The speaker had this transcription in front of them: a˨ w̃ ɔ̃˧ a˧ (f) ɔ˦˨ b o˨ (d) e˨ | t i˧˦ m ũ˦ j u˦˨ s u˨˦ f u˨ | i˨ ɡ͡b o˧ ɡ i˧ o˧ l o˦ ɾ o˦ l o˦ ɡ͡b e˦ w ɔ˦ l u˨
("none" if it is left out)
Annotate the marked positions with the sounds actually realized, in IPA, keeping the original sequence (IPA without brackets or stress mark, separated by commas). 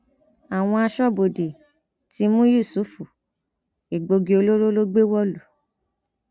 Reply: ʃ, d